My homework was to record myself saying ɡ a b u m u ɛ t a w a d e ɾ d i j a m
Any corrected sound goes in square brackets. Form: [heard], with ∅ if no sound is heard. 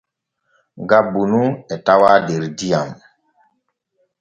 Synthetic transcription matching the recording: ɡ a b u [n] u ɛ t a w a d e ɾ d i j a m